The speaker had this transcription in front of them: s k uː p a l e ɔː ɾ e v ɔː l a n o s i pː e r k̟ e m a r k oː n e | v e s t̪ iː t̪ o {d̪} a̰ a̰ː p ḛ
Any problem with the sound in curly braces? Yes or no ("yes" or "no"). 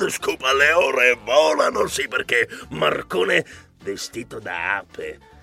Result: no